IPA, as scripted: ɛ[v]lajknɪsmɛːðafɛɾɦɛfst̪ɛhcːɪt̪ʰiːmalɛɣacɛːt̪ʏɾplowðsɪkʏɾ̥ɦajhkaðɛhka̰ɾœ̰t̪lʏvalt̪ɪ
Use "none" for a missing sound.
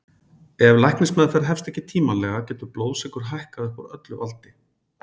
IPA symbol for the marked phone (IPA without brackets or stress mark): v